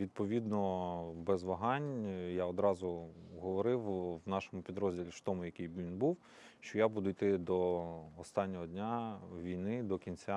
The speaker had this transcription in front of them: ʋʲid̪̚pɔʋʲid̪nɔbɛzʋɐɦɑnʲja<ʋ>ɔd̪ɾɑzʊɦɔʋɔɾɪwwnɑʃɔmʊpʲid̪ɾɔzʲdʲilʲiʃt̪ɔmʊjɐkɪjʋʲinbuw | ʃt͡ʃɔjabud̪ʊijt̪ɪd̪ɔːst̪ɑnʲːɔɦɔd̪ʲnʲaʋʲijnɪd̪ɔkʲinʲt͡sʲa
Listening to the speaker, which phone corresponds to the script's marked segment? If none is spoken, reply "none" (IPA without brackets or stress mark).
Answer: none